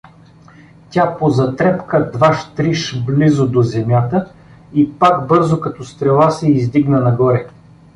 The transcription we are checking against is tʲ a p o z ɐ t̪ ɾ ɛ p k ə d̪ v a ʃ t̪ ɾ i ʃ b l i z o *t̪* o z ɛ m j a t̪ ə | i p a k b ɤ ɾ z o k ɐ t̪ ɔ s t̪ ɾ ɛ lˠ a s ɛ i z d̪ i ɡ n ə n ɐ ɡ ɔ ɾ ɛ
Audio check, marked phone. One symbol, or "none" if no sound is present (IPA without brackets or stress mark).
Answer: d̪